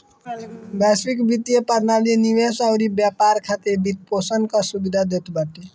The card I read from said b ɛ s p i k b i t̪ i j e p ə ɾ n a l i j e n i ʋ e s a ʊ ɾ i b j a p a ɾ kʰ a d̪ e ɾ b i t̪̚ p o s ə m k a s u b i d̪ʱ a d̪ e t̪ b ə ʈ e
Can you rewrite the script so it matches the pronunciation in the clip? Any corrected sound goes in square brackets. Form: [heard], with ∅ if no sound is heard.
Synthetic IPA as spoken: b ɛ s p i k b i t̪ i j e p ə ɾ n a l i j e n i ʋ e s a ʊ ɾ i b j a p a ɾ kʰ a [t̪] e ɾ b i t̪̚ p o s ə [n] k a s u b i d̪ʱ a d̪ e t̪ b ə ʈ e